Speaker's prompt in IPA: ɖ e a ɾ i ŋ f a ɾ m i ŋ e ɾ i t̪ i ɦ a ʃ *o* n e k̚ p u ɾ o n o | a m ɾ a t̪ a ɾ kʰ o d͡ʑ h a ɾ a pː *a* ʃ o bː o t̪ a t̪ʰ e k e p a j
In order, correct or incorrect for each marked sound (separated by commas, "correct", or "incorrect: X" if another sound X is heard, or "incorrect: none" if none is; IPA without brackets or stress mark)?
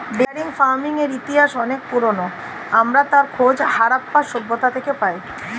incorrect: ɔ, correct